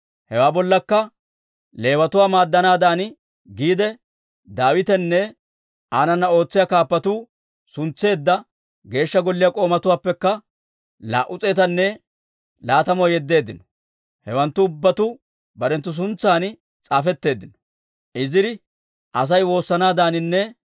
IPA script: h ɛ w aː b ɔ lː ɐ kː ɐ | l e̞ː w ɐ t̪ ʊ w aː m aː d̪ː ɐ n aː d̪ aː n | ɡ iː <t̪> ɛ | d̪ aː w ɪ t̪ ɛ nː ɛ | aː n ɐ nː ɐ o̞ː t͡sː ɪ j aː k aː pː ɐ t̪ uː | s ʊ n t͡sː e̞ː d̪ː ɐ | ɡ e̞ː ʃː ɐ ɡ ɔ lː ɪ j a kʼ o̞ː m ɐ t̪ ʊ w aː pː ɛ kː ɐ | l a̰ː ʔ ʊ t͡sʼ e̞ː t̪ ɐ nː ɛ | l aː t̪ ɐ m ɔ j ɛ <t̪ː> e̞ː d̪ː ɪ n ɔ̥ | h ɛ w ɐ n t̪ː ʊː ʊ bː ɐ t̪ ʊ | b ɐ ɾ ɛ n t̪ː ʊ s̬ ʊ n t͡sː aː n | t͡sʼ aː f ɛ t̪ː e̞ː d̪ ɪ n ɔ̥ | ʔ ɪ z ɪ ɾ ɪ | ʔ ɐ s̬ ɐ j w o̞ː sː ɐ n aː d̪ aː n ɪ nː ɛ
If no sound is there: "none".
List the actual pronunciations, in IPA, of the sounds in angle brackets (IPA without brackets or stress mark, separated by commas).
d̪, d̪ː